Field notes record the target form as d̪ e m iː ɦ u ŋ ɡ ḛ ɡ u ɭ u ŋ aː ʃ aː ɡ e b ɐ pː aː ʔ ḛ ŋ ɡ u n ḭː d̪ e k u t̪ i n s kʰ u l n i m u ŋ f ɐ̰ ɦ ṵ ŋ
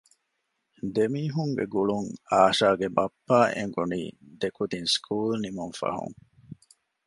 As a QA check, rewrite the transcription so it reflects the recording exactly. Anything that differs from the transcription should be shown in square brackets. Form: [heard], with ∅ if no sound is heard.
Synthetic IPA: d̪ e m iː ɦ u ŋ ɡ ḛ ɡ u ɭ u ŋ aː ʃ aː ɡ e b ɐ pː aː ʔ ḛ ŋ ɡ u n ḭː d̪ e k u [d̪] i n s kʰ [uː] l n i m u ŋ f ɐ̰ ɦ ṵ ŋ